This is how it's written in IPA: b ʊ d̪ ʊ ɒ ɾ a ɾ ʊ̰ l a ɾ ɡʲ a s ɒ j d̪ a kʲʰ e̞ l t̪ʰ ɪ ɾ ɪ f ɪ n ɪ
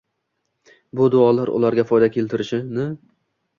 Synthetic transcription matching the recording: b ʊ d̪ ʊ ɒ l a ɾ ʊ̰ l a ɾ ɡʲ a f ɒ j d̪ a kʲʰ e̞ l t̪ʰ ɪ ɾ ɪ ʃ ɪ n ɪ